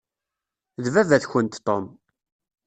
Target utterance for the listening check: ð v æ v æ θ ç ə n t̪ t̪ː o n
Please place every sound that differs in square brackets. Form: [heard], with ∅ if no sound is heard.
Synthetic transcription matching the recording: ð v æ v æ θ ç ə n t̪ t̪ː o [m]